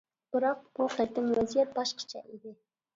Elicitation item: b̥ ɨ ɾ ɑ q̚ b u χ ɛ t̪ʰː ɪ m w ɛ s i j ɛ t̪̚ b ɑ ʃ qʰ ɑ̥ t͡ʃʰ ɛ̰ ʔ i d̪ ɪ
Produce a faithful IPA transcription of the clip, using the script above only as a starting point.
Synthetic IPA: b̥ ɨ ɾ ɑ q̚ b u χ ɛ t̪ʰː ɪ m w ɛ z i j ɛ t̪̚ b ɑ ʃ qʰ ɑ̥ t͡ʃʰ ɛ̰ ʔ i d̪ ɪ